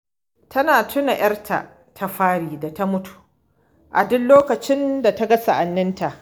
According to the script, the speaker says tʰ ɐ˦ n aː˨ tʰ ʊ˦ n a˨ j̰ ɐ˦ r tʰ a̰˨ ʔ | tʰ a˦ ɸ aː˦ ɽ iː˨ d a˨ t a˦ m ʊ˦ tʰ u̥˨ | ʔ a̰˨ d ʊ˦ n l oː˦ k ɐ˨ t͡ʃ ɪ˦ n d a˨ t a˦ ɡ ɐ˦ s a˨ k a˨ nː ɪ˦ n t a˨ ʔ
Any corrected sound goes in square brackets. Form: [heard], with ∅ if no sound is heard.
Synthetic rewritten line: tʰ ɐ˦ n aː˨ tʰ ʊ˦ n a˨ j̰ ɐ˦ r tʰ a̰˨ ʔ | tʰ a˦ ɸ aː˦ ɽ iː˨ d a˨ t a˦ m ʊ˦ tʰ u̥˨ | ʔ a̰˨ d ʊ˦ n l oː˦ k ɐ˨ t͡ʃ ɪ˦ n d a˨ t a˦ ɡ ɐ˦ s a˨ [ʔ] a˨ nː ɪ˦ n t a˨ ʔ